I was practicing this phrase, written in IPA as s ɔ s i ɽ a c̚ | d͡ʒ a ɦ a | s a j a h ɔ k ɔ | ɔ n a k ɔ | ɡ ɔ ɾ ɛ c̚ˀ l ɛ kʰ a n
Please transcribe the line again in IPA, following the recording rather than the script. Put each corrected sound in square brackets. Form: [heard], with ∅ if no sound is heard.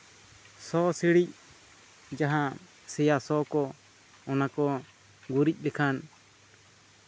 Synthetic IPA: s ɔ s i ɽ [i] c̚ | d͡ʒ a ɦ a | s [ɛ] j a [s] ɔ k ɔ | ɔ n a k ɔ | ɡ [u] ɾ [i] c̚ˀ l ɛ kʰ a n